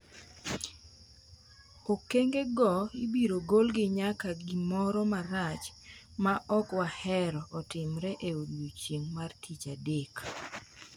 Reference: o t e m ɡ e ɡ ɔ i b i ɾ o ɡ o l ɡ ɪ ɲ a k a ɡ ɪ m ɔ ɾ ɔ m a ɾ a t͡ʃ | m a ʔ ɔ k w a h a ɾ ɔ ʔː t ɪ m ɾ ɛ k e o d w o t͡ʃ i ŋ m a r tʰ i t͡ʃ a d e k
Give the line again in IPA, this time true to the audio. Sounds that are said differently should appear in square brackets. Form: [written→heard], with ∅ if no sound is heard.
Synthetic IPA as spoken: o [t→k] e [m→ŋ] ɡ e ɡ ɔ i b i ɾ o ɡ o l ɡ ɪ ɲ a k a ɡ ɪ m ɔ ɾ ɔ m a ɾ a t͡ʃ | m a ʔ ɔ k w a h [a→ɛ] ɾ ɔ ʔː t ɪ m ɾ ɛ [k→ʔ] e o d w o t͡ʃ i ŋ m a r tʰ i t͡ʃ a d e k